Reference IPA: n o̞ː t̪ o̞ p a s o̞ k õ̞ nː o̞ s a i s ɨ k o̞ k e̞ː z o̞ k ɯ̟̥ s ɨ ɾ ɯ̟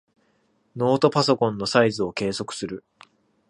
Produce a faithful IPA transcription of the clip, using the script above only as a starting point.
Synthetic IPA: n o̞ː t̪ o̞ p a s o̞ k õ̞ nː o̞ s a i z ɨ o̞ k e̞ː s o̞ k ɯ̟̥ s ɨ ɾ ɯ̟